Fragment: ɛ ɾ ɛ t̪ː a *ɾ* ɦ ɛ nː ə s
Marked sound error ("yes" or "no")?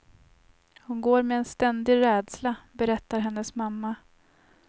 no